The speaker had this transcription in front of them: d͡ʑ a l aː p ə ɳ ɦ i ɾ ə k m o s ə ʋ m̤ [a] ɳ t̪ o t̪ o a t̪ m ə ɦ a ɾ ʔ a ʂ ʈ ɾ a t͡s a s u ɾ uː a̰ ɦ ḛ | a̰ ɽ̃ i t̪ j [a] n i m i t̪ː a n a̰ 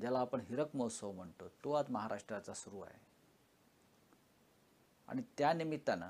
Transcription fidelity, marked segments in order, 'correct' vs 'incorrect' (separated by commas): incorrect, correct